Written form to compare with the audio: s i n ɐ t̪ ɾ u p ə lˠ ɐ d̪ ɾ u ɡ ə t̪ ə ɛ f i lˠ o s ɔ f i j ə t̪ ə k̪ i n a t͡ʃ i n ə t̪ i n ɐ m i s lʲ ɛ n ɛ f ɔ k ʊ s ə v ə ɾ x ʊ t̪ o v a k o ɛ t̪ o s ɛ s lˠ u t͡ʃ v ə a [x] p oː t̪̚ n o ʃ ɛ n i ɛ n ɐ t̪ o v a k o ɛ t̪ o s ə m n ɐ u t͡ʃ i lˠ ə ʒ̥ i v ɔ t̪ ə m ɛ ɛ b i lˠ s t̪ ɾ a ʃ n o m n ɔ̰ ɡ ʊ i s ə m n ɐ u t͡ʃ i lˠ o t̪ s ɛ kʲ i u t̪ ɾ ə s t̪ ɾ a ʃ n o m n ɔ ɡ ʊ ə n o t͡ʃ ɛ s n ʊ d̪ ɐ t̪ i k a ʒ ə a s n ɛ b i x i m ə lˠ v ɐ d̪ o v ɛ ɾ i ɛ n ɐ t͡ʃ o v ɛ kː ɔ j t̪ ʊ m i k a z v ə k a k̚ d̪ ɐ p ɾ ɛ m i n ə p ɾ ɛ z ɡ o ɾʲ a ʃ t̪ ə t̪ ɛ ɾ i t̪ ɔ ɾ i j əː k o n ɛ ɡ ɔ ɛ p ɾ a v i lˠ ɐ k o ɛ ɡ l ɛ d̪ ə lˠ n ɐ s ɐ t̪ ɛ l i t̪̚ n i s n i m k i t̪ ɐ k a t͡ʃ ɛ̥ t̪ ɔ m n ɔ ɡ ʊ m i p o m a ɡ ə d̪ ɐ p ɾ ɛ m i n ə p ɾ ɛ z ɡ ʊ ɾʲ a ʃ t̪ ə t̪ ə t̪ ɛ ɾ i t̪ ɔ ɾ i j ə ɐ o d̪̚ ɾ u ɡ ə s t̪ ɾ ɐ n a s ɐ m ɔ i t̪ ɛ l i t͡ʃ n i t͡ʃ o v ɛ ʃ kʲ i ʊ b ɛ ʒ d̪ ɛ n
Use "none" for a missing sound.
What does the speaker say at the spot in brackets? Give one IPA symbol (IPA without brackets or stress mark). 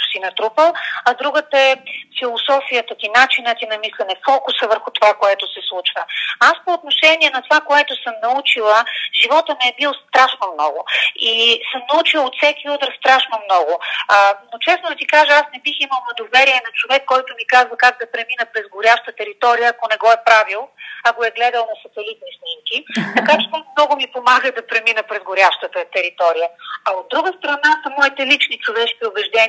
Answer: s